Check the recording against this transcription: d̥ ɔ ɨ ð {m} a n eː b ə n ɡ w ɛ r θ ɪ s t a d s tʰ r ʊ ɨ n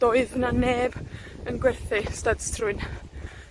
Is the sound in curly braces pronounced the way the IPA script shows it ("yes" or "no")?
no